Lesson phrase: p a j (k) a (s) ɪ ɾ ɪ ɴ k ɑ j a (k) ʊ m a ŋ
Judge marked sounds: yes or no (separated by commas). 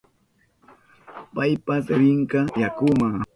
no, yes, yes